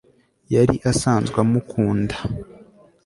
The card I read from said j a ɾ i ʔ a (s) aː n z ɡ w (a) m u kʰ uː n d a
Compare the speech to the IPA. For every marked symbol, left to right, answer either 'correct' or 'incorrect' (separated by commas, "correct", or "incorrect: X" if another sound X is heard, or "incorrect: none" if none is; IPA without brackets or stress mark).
correct, correct